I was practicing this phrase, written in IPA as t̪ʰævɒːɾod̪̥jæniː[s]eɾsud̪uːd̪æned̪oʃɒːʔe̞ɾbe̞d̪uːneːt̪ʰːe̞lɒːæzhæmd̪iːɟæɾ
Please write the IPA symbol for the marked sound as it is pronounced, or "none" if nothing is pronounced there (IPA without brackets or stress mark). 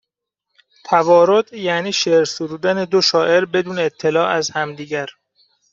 ʃ